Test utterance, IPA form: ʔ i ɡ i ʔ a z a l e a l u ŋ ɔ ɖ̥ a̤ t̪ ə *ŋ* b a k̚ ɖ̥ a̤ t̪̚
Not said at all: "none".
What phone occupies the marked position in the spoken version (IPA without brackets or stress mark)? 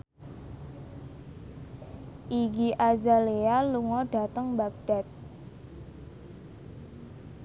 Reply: ŋ